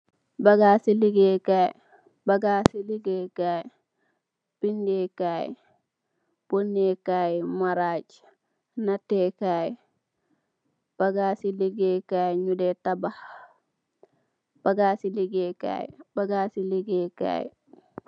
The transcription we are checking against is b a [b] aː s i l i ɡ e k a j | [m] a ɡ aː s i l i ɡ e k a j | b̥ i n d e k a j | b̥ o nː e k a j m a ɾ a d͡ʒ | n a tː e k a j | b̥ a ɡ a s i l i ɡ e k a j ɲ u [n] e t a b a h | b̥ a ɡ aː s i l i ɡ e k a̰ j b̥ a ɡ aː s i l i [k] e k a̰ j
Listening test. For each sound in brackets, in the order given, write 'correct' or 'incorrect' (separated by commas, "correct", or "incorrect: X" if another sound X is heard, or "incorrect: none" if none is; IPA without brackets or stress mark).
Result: incorrect: ɡ, incorrect: b, incorrect: d, incorrect: ɡ